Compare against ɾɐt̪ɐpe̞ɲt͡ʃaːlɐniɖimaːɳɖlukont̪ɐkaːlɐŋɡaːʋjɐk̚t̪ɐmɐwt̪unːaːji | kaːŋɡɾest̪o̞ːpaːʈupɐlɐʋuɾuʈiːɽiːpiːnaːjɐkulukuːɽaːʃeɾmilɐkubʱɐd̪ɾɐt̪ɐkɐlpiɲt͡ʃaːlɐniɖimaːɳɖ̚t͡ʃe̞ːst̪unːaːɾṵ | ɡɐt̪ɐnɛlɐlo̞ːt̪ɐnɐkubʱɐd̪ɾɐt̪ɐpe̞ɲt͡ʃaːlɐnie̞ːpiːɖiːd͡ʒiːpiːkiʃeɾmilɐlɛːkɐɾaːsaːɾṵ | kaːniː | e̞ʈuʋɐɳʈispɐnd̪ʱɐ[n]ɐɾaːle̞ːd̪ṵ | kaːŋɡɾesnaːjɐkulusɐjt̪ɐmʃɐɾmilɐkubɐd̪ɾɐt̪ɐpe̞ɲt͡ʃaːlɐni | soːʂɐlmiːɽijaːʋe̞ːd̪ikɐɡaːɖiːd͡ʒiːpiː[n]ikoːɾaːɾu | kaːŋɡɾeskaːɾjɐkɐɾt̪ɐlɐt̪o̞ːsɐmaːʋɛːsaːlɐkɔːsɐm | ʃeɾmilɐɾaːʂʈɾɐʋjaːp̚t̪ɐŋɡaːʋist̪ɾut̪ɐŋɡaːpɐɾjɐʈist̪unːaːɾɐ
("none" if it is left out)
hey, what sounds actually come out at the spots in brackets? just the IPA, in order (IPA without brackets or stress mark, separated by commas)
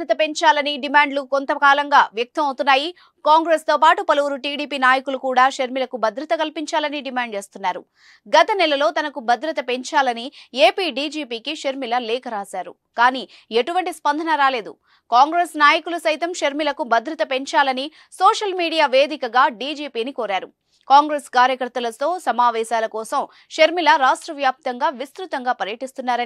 n, n